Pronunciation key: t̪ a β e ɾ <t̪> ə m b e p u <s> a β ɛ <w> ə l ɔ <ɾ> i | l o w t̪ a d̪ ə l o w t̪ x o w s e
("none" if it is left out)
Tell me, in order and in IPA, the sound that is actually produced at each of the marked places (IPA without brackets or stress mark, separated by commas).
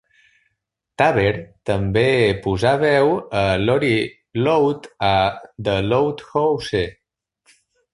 t̪, z, w, ɾ